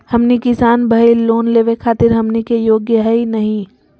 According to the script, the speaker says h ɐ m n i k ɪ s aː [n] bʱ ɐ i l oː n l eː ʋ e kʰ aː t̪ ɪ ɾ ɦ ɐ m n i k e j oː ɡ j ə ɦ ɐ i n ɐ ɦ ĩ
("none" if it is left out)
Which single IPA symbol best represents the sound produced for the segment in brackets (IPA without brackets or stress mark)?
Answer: n